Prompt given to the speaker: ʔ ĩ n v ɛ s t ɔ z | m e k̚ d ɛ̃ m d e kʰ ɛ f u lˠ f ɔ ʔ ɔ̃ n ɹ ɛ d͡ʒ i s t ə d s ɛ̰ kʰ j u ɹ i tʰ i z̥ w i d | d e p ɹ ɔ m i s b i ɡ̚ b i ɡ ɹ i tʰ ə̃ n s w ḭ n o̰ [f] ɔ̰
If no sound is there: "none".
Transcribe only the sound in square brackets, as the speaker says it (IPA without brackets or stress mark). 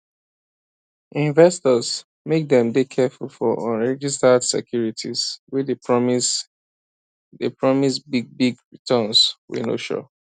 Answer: ʃ